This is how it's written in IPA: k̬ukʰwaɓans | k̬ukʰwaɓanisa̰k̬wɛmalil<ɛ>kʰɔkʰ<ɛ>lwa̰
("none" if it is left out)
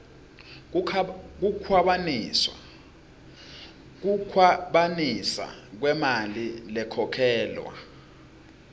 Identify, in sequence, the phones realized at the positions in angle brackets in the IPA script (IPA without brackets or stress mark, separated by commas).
ɛ, ɛː